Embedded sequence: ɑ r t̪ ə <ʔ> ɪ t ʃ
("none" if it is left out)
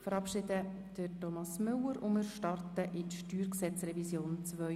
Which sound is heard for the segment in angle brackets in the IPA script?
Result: ʔ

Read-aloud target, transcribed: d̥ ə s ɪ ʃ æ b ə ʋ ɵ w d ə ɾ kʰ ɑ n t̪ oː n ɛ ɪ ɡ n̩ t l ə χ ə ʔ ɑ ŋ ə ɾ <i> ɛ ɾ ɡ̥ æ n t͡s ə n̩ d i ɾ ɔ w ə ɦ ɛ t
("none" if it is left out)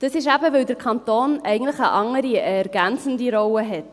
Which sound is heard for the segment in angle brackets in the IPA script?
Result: i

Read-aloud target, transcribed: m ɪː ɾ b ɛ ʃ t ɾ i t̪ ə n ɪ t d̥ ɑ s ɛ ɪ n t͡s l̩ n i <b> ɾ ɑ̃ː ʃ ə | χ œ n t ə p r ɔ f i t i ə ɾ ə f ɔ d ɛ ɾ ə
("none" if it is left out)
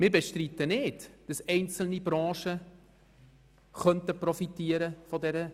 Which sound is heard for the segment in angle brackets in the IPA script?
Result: b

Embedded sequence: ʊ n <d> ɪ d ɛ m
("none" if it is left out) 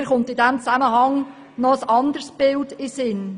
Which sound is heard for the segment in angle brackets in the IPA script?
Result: t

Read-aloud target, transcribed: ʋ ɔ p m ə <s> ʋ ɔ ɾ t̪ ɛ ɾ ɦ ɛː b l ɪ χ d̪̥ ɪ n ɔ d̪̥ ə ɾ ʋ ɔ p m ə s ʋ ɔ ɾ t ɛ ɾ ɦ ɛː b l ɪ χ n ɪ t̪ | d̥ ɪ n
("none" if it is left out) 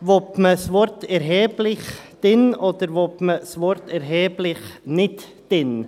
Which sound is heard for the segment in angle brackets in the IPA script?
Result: s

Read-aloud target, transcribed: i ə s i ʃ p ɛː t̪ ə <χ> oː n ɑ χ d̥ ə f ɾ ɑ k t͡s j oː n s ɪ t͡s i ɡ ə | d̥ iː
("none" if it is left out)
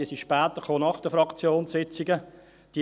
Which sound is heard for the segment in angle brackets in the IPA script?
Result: χ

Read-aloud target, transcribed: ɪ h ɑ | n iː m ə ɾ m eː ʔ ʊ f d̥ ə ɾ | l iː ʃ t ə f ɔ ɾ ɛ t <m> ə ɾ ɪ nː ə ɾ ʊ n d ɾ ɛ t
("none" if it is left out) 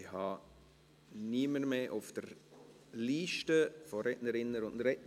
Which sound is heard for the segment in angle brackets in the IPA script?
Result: n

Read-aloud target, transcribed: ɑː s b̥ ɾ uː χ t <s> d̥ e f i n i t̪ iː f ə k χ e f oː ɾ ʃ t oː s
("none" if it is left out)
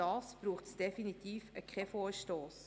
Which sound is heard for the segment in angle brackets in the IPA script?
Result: s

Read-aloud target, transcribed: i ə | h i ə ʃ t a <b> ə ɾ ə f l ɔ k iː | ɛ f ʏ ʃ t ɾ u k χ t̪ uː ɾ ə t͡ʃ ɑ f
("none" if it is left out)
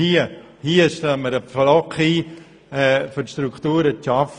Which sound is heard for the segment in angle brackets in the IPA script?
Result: m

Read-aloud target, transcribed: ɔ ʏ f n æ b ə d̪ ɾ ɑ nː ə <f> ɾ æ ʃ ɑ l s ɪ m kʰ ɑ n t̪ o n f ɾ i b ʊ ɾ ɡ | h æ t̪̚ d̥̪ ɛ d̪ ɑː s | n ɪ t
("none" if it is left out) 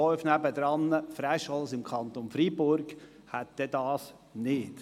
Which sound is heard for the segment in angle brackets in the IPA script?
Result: f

